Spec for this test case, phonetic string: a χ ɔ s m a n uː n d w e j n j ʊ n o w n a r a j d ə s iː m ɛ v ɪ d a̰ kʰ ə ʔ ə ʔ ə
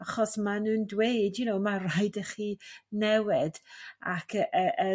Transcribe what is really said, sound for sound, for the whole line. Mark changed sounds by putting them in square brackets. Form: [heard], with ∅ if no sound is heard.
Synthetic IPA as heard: a χ ɔ s m a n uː n d w e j [d] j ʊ n o w [m] a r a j d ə [χ] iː [n] ɛ [w] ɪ d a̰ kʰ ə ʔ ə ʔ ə